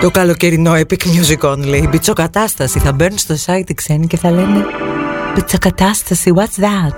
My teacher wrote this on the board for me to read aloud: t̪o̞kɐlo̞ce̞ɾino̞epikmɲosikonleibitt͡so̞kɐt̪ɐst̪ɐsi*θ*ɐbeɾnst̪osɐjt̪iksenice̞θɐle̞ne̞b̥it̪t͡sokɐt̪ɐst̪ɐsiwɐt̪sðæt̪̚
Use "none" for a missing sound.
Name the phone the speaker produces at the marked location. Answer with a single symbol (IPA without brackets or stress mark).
θ